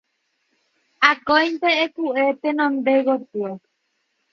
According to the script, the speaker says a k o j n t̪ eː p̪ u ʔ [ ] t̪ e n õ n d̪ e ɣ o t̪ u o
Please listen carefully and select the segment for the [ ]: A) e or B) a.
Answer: A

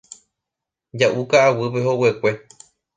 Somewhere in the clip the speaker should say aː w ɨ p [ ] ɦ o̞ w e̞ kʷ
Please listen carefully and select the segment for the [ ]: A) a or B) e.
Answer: B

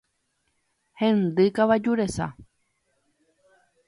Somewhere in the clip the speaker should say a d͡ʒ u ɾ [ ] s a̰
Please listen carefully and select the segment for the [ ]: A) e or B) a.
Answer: A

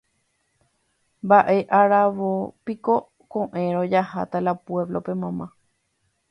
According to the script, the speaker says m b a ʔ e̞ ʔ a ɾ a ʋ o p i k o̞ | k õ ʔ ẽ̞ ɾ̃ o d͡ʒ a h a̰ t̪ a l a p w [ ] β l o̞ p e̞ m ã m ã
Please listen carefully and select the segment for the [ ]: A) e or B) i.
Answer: A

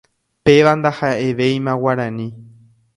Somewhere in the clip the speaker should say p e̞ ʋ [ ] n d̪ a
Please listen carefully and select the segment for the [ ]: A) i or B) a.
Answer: B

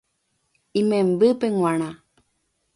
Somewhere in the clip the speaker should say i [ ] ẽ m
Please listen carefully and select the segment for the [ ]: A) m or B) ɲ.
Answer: A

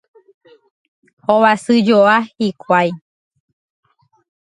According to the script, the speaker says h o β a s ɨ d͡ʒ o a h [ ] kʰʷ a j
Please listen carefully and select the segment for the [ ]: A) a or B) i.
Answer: B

